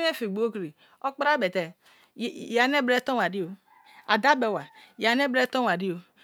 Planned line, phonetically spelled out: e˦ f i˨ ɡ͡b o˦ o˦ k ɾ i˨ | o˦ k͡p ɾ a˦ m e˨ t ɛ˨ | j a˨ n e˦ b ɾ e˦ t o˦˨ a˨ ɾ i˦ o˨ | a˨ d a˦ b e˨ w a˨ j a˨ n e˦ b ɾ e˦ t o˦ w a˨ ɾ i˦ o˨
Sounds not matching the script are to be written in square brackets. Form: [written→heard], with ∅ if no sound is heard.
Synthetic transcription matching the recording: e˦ f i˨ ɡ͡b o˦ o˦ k ɾ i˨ | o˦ k͡p ɾ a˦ [m→b] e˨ t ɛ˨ | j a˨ n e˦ b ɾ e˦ t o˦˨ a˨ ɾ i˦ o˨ | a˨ d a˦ b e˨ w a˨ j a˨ n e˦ b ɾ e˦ t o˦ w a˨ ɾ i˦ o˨

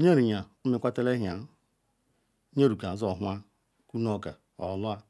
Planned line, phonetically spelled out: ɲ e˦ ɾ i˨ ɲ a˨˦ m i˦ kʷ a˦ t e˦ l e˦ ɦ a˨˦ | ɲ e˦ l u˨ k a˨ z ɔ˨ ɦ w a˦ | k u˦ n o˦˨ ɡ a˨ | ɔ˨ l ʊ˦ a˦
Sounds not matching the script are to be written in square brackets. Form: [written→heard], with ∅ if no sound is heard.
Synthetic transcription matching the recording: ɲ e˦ ɾ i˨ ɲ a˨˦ m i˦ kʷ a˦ t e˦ l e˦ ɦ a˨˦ | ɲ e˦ [l→ɾ] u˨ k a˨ z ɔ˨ ɦ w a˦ | k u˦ n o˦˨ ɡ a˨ | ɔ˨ l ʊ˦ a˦

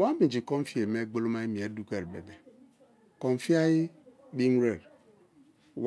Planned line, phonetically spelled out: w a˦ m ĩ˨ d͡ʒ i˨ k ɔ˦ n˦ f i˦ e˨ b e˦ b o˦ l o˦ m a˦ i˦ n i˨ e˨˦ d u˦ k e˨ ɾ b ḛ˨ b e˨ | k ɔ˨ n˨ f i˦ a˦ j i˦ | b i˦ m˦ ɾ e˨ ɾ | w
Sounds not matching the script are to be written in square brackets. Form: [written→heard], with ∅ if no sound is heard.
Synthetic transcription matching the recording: w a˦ m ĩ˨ d͡ʒ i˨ k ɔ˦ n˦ f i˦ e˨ [b→m] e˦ [b→ɡ͡b] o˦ l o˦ m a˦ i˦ [n→m] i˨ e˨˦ d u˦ k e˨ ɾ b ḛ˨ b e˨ | k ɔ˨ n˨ f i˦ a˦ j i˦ | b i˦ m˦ ɾ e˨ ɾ | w

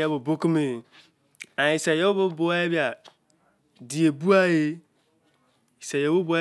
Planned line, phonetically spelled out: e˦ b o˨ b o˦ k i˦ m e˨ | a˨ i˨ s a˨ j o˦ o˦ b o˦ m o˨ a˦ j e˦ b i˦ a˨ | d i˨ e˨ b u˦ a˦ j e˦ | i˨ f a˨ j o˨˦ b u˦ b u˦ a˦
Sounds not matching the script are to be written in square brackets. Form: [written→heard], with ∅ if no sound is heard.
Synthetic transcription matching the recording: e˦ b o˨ b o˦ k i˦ m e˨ | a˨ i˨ s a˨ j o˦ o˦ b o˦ [m→b] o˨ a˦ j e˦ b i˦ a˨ | d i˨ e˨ b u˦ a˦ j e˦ | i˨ [f→s] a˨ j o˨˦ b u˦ b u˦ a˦

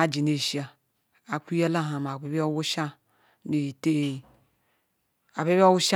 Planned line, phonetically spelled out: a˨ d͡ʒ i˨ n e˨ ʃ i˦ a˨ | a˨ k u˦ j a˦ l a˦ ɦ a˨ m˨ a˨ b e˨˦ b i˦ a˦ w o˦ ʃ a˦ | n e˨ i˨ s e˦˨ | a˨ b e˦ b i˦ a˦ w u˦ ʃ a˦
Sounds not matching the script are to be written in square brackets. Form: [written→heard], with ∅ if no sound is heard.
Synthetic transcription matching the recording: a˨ d͡ʒ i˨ n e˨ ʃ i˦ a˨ | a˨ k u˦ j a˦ l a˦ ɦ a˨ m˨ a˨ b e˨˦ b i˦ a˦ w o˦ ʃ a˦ | n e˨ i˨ [s→t] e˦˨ | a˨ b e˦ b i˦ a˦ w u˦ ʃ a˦

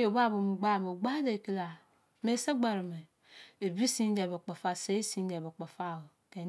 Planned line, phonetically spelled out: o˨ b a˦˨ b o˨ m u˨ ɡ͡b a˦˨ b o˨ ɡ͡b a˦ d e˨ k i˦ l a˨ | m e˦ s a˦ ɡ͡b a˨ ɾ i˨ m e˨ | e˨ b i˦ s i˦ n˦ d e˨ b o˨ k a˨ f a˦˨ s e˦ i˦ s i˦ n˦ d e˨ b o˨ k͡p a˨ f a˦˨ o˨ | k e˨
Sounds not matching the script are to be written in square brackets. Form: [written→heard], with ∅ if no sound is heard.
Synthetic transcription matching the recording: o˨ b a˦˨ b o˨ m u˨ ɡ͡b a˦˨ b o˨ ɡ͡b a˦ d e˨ k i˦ l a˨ | m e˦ s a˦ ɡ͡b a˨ ɾ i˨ m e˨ | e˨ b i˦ s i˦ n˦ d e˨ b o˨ [k→k͡p] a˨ f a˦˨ s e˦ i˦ s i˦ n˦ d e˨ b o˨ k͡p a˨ f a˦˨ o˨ | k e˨

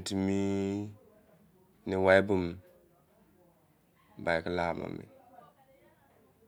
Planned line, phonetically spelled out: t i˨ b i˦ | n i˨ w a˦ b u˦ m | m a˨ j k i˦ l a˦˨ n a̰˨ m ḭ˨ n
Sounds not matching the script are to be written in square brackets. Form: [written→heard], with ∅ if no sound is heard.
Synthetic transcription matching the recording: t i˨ [b→m] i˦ | n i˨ w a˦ b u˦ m | [m→b] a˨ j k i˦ l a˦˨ [n→m] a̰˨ m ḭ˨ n

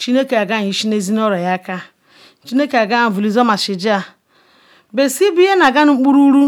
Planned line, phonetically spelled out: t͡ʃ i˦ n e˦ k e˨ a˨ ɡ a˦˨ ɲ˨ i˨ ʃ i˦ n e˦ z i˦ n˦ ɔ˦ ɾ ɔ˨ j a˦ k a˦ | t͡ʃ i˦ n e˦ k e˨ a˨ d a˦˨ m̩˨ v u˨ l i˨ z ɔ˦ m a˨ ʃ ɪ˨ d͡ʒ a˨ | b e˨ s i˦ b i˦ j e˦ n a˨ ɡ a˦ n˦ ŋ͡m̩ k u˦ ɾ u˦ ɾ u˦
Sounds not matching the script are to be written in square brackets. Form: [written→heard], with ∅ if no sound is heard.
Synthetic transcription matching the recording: t͡ʃ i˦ n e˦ k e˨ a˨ ɡ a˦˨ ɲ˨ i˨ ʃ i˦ n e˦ z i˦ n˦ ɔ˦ ɾ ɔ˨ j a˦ k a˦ | t͡ʃ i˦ n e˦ k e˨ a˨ [d→ɡ] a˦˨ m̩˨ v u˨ l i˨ z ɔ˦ m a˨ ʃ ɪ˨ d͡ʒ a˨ | b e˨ s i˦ b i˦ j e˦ n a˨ ɡ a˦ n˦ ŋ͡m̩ [k→k͡p] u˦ ɾ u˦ ɾ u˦

